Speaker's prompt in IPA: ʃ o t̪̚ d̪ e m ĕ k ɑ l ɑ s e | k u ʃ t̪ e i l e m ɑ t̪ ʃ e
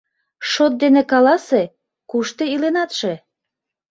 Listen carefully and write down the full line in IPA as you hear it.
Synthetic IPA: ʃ o t̪̚ d̪ e n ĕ k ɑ l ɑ s e | k u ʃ t̪ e i l e n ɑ t̪ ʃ e

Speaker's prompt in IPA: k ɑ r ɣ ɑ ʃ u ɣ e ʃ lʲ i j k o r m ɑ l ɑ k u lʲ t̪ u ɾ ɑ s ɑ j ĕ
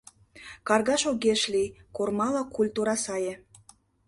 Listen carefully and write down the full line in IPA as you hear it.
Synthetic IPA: k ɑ r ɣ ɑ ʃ o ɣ e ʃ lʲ i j k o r m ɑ l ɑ k u lʲ t̪ u ɾ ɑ s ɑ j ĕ

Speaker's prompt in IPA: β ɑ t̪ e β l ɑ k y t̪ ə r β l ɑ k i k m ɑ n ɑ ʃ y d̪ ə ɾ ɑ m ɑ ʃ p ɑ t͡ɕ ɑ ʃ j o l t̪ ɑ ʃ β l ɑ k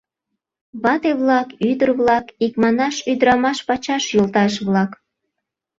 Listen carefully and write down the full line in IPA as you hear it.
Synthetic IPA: β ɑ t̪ e β l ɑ k y d̪ ə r β l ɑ k i k m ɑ n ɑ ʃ y d̪ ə ɾ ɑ m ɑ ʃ p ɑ t͡ɕ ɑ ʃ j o l t̪ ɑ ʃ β l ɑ k

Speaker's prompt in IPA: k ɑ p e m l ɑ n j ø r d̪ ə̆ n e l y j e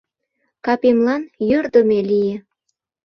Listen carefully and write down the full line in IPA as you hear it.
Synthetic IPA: k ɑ p e m l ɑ n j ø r d̪ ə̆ m e l i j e

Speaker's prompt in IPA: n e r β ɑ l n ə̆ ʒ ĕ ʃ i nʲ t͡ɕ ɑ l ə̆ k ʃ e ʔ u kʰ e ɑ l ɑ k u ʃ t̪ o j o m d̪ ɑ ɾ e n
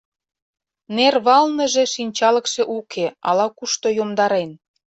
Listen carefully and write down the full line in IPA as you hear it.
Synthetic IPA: n e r β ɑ l n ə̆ ʒ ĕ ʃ i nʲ t͡ɕ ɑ l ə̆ k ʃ e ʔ u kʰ e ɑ l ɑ k u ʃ t̪ o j o m d̪ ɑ ɾ e n

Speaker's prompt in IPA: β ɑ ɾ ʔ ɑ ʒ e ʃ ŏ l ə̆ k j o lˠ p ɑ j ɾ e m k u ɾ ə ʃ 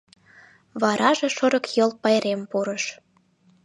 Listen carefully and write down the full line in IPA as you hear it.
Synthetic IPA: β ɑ ɾ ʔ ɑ ʒ e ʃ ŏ ɾ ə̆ k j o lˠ p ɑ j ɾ e m p u ɾ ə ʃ

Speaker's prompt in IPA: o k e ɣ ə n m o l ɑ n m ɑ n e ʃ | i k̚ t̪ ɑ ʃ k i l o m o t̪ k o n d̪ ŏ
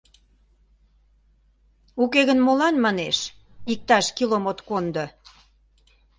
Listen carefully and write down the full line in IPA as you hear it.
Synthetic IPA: u k e ɣ ə n m o l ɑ n m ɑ n e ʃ | i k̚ t̪ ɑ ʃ k i l o m o t̪ k o n d̪ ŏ

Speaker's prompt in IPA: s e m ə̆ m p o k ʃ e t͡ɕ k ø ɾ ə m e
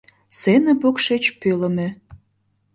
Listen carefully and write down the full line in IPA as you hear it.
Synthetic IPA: s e n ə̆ p o k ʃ e t͡ɕ p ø l ə m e

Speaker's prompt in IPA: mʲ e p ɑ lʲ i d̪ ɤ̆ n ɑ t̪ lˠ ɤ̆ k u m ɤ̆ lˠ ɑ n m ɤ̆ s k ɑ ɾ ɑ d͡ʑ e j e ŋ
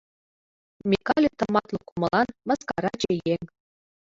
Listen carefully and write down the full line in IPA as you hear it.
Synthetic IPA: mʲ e k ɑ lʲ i t̪ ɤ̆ m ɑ t̪ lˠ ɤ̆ k u m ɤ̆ lˠ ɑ n m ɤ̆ s k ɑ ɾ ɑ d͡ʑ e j e ŋ

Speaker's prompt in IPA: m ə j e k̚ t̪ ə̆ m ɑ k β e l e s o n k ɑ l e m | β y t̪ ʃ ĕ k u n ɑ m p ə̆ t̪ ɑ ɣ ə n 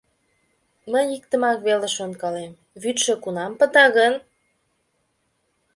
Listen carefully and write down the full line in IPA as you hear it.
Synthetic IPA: m ə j i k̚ t̪ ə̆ m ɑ k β e l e ʃ o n k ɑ l e m | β y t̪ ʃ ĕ k u n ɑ m p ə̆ t̪ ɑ ɣ ə n

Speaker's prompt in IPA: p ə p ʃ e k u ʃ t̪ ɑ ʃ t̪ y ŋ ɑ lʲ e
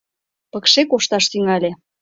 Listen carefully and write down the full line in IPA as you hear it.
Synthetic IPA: p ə k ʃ e k o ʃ t̪ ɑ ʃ t̪ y ŋ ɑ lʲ e

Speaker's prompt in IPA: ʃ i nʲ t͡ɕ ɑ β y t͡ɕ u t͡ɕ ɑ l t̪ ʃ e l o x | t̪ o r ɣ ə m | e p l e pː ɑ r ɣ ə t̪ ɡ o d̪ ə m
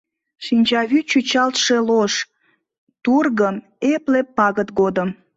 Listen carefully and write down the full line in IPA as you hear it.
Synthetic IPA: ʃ i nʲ t͡ɕ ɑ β y t͡ɕ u t͡ɕ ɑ l t̪ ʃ e l o ʃ | t̪ u r ɣ ə m | e p l e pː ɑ ɣ ə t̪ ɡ o d̪ ə m

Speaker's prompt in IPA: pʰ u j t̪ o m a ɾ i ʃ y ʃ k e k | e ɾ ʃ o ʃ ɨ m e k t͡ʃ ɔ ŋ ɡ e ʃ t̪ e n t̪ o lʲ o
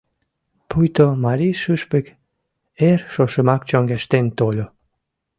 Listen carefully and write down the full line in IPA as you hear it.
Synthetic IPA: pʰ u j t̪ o m a ɾ i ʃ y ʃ p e k | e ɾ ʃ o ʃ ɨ m a k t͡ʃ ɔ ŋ ɡ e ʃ t̪ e n t̪ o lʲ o

